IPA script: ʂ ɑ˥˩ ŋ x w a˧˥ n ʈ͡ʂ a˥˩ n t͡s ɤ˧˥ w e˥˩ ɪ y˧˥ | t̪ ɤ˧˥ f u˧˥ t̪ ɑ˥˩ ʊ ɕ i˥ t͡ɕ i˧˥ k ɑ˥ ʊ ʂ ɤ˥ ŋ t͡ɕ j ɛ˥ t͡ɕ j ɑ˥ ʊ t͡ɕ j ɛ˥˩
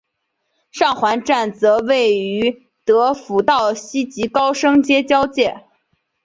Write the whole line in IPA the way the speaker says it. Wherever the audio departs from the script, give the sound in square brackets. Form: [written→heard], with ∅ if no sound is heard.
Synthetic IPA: ʂ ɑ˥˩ ŋ x w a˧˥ n ʈ͡ʂ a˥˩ n t͡s ɤ˧˥ w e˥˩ ɪ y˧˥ | t̪ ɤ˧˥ f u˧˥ t̪ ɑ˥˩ ʊ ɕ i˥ t͡ɕ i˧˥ k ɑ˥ ʊ ʂ ɤ˥ ŋ t͡ɕ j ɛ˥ t͡ɕ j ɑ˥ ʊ t͡ɕ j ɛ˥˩